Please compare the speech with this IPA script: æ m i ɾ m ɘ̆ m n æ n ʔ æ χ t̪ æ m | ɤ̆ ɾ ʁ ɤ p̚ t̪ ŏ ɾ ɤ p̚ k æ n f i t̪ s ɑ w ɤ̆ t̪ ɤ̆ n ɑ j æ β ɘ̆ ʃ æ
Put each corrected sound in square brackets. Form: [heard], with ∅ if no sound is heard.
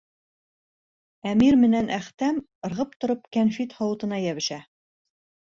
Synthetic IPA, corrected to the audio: æ m i ɾ m ɘ̆ [∅] n æ n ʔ æ χ t̪ æ m | ɤ̆ ɾ ʁ ɤ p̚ t̪ ŏ ɾ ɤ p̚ k æ n f i t̪ [h] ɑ w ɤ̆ t̪ ɤ̆ n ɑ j æ β ɘ̆ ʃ æ